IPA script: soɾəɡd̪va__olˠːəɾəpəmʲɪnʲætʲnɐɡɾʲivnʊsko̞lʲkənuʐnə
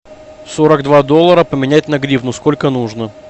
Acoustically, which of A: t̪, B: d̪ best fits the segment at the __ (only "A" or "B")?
B